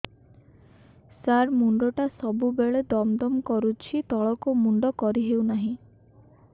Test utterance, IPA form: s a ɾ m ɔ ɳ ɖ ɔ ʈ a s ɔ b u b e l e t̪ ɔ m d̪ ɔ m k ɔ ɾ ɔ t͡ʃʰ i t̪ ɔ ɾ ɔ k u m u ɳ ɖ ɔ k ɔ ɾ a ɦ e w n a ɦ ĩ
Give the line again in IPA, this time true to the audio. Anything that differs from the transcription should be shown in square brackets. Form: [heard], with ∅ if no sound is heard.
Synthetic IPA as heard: s a ɾ m [u] ɳ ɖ ɔ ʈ a s ɔ b u b e [ɭ] e [d̪] ɔ m d̪ ɔ m k ɔ ɾ [u] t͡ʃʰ i t̪ ɔ [ɭ] ɔ k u m u ɳ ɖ ɔ k ɔ ɾ [i] ɦ e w n a ɦ ĩ